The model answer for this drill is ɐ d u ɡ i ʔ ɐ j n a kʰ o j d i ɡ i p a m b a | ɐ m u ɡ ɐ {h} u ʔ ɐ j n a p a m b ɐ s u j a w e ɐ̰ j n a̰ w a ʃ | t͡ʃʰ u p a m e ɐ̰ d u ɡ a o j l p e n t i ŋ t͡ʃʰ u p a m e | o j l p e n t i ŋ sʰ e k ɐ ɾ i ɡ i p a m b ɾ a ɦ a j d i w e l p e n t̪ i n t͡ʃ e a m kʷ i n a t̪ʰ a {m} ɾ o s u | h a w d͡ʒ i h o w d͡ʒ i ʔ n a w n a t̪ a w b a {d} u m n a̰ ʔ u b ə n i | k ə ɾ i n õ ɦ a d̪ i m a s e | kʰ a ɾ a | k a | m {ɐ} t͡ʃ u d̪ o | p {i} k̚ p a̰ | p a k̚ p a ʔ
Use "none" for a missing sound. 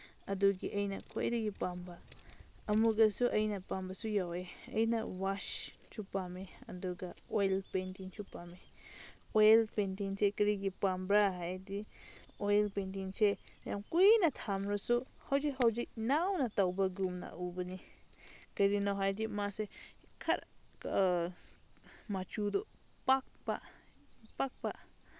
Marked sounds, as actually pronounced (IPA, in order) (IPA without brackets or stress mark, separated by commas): s, m, ɡ, a, a